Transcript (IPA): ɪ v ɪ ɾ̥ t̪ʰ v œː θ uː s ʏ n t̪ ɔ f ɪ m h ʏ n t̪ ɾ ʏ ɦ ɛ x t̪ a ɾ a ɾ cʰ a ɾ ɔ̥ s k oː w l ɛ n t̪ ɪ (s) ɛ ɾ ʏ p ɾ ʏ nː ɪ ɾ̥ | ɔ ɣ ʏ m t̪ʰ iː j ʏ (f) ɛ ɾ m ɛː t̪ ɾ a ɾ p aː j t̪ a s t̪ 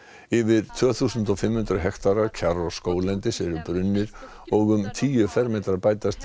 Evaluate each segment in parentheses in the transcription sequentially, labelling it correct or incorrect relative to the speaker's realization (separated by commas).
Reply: correct, correct